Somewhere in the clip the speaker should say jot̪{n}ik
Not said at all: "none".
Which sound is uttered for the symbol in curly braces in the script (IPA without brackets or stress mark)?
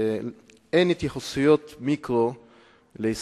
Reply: m